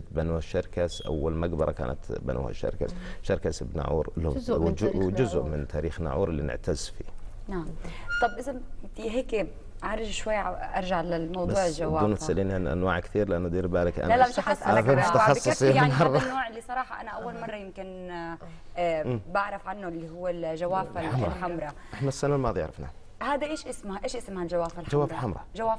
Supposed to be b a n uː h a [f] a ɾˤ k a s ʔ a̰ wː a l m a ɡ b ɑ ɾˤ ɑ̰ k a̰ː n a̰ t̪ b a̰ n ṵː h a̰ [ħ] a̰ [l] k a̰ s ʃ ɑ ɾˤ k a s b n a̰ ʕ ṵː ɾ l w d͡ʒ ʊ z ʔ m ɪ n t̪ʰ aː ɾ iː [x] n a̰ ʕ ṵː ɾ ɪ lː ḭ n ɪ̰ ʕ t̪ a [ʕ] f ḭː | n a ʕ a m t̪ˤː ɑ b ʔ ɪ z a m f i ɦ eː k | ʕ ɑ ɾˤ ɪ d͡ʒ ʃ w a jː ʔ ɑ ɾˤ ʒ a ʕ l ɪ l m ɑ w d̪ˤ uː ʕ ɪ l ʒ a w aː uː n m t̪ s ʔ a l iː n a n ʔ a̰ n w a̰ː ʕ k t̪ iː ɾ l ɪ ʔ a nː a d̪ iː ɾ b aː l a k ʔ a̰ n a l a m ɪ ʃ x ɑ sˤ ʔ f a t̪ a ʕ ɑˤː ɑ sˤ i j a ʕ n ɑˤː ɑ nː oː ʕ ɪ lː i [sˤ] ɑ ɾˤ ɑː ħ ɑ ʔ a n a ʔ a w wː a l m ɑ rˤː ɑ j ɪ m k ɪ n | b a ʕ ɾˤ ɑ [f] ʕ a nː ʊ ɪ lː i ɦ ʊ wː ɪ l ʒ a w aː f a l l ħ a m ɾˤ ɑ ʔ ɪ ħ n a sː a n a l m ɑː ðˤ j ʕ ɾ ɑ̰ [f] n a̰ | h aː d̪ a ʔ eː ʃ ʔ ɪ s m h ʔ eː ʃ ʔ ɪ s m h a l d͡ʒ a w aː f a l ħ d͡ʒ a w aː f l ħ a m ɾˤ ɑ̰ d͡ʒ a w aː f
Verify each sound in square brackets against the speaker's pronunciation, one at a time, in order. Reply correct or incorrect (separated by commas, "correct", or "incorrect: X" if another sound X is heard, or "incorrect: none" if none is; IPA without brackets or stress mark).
incorrect: ʃ, incorrect: ʃ, incorrect: ɾ, correct, incorrect: z, correct, correct, correct